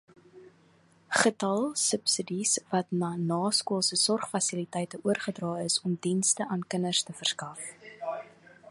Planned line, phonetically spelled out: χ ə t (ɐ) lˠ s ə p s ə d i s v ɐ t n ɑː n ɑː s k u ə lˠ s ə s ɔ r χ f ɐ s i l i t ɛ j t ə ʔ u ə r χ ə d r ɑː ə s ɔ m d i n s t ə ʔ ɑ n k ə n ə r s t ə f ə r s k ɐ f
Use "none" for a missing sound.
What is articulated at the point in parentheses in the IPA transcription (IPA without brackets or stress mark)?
ɐ